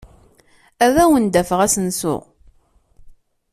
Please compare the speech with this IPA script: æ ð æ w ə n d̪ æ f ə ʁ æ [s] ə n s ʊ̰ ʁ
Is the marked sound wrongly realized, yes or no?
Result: no